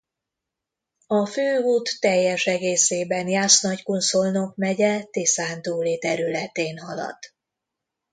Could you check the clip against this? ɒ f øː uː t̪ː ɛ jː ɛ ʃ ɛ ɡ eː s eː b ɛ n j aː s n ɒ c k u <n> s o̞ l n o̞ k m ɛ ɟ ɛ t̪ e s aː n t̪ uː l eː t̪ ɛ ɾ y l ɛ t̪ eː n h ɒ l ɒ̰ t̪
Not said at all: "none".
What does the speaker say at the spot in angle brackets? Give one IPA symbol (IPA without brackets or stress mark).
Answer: n